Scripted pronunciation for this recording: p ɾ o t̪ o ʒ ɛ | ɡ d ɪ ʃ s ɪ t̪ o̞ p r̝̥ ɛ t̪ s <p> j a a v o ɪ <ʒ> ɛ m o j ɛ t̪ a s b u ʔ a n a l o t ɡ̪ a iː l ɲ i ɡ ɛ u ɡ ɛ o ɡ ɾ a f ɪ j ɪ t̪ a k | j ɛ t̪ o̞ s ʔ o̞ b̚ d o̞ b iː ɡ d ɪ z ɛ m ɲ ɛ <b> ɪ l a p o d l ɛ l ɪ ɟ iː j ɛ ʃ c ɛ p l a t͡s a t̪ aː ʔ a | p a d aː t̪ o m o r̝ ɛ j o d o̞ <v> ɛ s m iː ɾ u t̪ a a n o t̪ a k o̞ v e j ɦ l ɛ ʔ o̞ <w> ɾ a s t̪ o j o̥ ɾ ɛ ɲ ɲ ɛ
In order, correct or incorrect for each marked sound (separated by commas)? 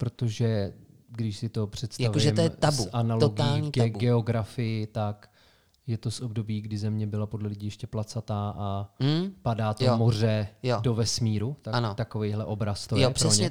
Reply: incorrect, correct, correct, correct, incorrect